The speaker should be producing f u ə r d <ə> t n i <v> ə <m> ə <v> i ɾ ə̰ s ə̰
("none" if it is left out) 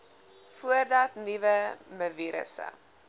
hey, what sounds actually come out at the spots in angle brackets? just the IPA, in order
ɐ, v, m, v

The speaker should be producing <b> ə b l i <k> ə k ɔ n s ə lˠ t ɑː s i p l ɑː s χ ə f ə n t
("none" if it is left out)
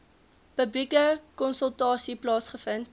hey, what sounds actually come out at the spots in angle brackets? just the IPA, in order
p, k

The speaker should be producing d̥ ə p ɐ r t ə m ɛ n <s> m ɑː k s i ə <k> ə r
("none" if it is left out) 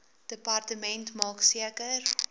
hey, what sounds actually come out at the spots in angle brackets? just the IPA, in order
t, k

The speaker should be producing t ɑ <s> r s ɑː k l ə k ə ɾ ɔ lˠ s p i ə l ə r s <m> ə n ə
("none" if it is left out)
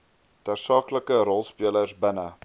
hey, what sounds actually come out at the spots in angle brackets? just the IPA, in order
none, b

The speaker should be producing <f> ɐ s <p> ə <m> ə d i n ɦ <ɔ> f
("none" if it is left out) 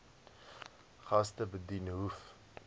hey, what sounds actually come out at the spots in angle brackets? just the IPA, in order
χ, t, b, u

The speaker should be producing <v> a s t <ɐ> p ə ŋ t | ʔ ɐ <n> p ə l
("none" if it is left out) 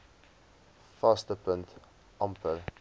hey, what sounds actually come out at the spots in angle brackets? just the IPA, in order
f, ə, m

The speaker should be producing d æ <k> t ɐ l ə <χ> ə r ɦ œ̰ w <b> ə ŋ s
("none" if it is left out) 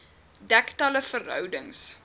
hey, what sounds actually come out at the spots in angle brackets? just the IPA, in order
k, f, d

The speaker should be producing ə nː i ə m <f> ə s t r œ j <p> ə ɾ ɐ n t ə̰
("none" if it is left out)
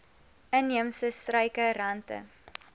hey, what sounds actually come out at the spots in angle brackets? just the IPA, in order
s, k

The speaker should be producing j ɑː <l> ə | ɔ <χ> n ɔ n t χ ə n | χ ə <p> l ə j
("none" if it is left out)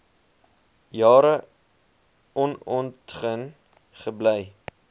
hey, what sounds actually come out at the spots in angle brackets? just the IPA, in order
ɾ, none, b

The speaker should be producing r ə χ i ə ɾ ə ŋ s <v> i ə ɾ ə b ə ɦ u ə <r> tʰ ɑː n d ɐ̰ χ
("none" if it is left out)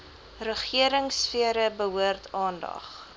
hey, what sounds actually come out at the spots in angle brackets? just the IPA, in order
f, r

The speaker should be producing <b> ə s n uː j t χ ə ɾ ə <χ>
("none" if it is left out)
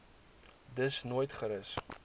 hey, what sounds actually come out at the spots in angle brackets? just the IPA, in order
d, s

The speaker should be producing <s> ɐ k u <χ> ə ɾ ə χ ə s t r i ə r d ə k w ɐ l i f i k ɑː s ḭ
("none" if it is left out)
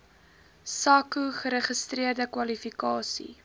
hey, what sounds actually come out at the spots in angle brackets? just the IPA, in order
s, χ

